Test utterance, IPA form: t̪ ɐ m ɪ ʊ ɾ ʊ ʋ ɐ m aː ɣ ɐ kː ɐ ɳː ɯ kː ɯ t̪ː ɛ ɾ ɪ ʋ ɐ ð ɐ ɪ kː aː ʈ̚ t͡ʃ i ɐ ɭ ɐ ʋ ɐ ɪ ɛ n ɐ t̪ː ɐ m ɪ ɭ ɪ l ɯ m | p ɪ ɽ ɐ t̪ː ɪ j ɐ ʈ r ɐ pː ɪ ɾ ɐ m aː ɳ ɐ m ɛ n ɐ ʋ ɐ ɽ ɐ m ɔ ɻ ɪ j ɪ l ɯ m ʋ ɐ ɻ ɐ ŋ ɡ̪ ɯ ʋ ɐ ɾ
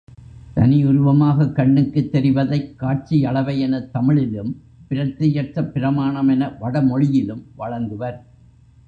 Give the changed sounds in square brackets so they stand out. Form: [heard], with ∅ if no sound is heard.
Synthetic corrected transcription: t̪ ɐ [n] ɪ ʊ ɾ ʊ ʋ ɐ m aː ɣ ɐ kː ɐ ɳː ɯ kː ɯ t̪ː ɛ ɾ ɪ ʋ ɐ ð ɐ ɪ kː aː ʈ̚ t͡ʃ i ɐ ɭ ɐ ʋ ɐ ɪ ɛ n ɐ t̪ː ɐ m ɪ ɭ ɪ l ɯ m | p ɪ [ɾ] ɐ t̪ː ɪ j ɐ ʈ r ɐ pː ɪ ɾ ɐ m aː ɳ ɐ m ɛ n ɐ ʋ ɐ ɽ ɐ m ɔ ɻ ɪ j ɪ l ɯ m ʋ ɐ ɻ ɐ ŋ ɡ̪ ɯ ʋ ɐ ɾ